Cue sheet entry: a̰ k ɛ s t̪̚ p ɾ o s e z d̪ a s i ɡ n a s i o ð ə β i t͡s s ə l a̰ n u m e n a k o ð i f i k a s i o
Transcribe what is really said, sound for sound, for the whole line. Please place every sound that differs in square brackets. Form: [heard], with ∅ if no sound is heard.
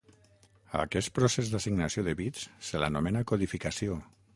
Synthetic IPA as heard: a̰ k ɛ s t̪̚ p ɾ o s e z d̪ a s i ɡ n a s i o ð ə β i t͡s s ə l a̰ n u m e n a k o ð i f i k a s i o